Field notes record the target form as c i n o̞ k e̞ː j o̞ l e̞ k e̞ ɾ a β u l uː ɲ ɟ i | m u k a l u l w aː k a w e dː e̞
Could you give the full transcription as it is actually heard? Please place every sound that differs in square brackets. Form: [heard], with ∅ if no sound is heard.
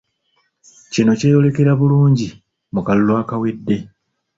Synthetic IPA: c i n o̞ [c] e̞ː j o̞ l e̞ k e̞ ɾ a β u l uː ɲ ɟ i | m u k a l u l w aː k a w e dː e̞

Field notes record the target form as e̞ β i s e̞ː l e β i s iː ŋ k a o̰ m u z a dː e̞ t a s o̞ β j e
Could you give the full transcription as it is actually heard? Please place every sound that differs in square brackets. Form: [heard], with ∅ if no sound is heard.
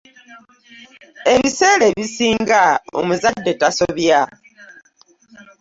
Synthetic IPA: e̞ β i s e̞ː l e β i s iː ŋ [ɡ] a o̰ m u z a dː e̞ t a s o̞ β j [a]

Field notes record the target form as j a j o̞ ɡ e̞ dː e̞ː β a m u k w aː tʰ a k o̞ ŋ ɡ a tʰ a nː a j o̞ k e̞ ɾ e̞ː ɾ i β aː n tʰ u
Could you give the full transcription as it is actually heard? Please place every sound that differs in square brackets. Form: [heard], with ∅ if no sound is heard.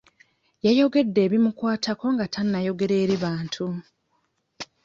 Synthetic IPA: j a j o̞ ɡ e̞ dː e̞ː β [i] m u k w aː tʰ a k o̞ ŋ ɡ a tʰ a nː a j o̞ [ɡ] e̞ ɾ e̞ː ɾ i β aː n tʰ u

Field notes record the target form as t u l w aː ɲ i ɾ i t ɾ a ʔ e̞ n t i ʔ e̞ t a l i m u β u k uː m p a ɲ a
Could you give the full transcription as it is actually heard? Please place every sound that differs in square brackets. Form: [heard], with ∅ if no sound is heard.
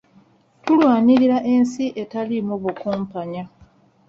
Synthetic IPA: t u l w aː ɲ i ɾ i [∅] ɾ a ʔ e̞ n [s] i ʔ e̞ t a l i m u β u k uː m p a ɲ a

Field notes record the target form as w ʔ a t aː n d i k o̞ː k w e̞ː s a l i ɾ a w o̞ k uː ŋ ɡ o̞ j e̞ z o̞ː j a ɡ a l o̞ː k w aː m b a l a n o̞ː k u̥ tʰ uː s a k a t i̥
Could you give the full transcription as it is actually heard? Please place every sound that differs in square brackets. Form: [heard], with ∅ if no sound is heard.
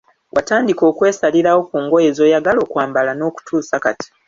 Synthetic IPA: w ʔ a t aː n d i k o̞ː k w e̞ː s a l i ɾ a w o̞ k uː ŋ ɡ o̞ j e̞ z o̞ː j a ɡ a l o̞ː k w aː m b a l a n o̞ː k u̥ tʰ uː s a k a t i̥

